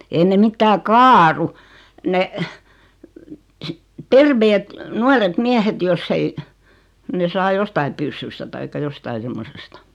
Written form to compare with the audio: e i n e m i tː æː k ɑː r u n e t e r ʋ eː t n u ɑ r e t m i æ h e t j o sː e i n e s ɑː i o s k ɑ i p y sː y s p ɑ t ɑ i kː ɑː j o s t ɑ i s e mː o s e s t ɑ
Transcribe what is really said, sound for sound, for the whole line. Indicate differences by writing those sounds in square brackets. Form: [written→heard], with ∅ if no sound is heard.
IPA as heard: e i n e m i tː æː k ɑː r u n e t e r ʋ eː t n u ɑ r e t m i æ h e t j o sː e i n e s ɑː [i→j] o s [k→t] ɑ i p y sː y s [p→t] ɑ t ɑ i kː [ɑː→ɑ] j o s t ɑ i s e mː o s e s t ɑ

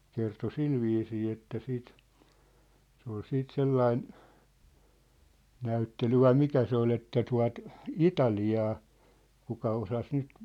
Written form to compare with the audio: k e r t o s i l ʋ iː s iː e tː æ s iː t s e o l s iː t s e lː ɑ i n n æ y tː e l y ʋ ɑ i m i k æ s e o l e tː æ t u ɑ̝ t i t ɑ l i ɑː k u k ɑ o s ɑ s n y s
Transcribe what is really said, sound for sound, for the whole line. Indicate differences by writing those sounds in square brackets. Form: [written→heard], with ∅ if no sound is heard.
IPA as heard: k e r t o s i l ʋ iː s iː e tː æ s iː t s e o l s iː t s e lː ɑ i n n æ y tː e l y ʋ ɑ i m i k æ s e o l e tː æ t u ɑ̝ t i t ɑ l i ɑː k u k ɑ o s ɑ s n y [s→t]

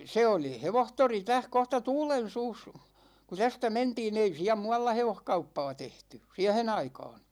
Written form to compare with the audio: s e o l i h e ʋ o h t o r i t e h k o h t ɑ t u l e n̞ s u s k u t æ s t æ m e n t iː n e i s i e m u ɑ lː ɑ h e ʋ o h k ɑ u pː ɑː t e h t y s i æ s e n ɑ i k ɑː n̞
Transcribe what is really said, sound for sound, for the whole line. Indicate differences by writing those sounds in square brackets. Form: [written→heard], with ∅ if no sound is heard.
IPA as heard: s e o l i h e ʋ o h t o r i t [e→æ] h k o h t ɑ t [u→uː] l e n̞ s [u→uː] s k u t æ s t æ m e n t iː n e i s i [e→æ] m u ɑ lː ɑ h e ʋ o h k ɑ u pː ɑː t e h t y s i æ [s→h] e n ɑ i k ɑː n̞

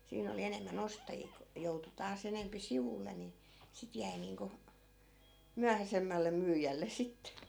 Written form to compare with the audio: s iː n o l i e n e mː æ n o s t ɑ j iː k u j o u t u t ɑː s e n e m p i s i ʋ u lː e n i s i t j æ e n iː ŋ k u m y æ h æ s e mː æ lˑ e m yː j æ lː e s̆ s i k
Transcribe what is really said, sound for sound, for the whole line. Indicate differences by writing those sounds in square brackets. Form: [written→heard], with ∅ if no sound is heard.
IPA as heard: s iː n o l i e n e mː æ n o s t ɑ j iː k u j o u t u t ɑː s e n e m p i s i ʋ u lː e n i s i t j æ [e→i] n iː ŋ k u m y æ h æ s e mː æ lˑ e m yː j æ lː e s̆ s i [k→t]

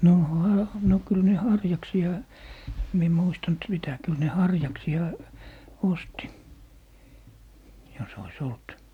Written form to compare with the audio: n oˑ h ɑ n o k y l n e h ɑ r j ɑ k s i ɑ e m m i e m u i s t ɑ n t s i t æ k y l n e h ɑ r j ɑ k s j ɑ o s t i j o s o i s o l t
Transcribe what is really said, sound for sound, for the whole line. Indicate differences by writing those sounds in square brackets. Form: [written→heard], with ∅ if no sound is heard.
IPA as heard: n oˑ h ɑ n o k y l n e h ɑ r j ɑ k s i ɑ e m m i e m u i s t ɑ n t s i t æ k y l n e h ɑ r j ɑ k s [j→i] ɑ o s t i j o s o i s o l t

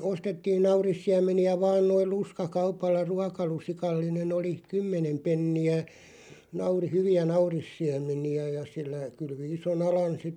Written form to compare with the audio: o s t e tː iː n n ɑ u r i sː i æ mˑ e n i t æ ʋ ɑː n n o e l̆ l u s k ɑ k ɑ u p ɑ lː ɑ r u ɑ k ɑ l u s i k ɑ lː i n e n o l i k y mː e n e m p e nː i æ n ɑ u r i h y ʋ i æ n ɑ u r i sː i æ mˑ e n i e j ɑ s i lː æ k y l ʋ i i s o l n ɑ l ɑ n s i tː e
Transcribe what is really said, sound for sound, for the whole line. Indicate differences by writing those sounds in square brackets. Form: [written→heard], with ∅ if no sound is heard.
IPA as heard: o s t e tː iː n n ɑ u r i sː i æ mˑ e n i [t→∅] æ ʋ ɑː n n o [e→i] l̆ l u s k ɑ k ɑ u p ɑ lː ɑ r u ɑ k ɑ l u s i k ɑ lː i n e n o l i k y mː e n e m p e nː i æ n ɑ u r i h y ʋ i æ n ɑ u r i sː i æ mˑ e n i [e→æ] j ɑ s i lː æ k y l ʋ i i s o [l→∅] n ɑ l ɑ n s i tː e

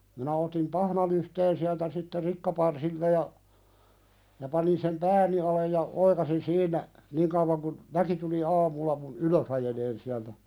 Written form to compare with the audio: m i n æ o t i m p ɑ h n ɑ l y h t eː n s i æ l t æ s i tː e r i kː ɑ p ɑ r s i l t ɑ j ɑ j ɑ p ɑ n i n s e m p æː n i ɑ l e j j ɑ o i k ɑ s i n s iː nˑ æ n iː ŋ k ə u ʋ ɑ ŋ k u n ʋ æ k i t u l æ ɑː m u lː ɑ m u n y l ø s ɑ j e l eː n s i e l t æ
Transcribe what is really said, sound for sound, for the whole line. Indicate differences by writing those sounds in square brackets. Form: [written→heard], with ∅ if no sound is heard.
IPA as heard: m i n æ o t i m p ɑ h n ɑ l y h t eː n s i æ l t æ s i tː e r i kː ɑ p ɑ r s i l t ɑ j ɑ j ɑ p ɑ n i n s e m p æː n i ɑ l e j j ɑ o i k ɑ s i n s iː nˑ æ n iː ŋ k ə u ʋ ɑ ŋ k u n ʋ æ k i t u l [æ→i] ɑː m u lː ɑ m u n y l ø s ɑ j e l eː n s i [e→æ] l t æ

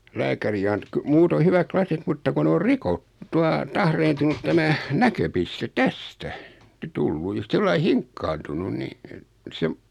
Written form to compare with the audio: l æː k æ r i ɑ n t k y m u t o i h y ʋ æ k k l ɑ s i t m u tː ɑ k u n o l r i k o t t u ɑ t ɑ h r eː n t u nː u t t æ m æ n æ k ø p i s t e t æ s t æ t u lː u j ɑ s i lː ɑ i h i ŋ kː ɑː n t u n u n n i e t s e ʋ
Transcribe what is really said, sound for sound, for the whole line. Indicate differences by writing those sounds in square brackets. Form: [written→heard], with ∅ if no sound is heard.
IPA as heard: l æː k æ r i ɑ n t k y m [u→uː] t o i h y ʋ æ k k l ɑ s i t m u tː ɑ k u n o [l→r] r i k o t t u ɑ t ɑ h r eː n t u [nː→n] u t t æ m æ n æ k ø p i s t e t æ s t æ t u lː u j ɑ s i lː ɑ i h i ŋ kː ɑː n t u n u n n i e t s e ʋ

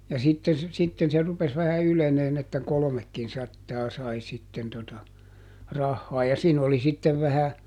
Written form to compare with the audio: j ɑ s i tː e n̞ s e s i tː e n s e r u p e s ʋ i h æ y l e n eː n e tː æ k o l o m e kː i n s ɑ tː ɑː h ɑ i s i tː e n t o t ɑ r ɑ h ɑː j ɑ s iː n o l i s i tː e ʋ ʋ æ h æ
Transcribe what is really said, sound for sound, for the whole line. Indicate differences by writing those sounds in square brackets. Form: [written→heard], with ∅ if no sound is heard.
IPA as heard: j ɑ s i tː e n̞ s e s i tː e n s e r u p e s ʋ [i→æ] h æ y l e n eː n e tː æ k o l o m e kː i n s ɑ tː ɑː [h→s] ɑ i s i tː e n t o t ɑ r ɑ [h→hː] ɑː j ɑ s iː n o l i s i tː e ʋ ʋ æ h æ

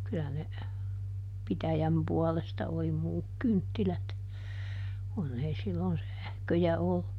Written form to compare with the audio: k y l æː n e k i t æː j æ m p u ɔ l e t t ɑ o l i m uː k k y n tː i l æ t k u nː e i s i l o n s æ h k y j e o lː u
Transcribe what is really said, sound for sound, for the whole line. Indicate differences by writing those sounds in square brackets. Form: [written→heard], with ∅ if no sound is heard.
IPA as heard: k y l [æː→æ] n e [k→p] i t [æː→æ] j æ m p u ɔ l e [t→s] t ɑ o l i m uː k k y n tː i l æ t k u nː e i s i [l→lː] o n s æ h k [y→ø] j [e→æ] o lː u

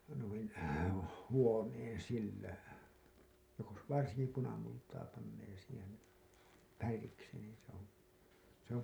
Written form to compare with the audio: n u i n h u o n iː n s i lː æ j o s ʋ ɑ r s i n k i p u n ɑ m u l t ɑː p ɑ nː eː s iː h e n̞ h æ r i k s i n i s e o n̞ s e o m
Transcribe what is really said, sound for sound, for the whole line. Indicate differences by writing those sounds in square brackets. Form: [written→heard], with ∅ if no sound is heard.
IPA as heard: n u i n h u o n [iː→eː] n s i lː æ j o s ʋ ɑ r s i [n→ŋ] k i p u n ɑ m u l t ɑː p ɑ nː eː s iː h e n̞ [h→f] æ r i k s i n [i→iː] s e o n̞ s e o m

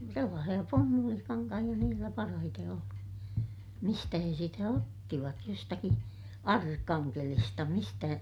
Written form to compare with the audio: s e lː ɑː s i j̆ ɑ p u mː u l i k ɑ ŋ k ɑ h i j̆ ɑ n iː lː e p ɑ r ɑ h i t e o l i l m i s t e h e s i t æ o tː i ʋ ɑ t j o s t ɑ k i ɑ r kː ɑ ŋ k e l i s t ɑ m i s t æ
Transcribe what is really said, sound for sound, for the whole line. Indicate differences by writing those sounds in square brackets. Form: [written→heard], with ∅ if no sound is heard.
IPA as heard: s e lː ɑː s i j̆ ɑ p u mː u l i k ɑ ŋ k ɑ h i j̆ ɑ n iː lː [e→æ] p ɑ r ɑ h i t e o l i [l→∅] m i s t [e→æ] h e s i t æ o tː i ʋ ɑ t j o s t ɑ k i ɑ r kː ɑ ŋ k e l i s t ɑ m i s t æ

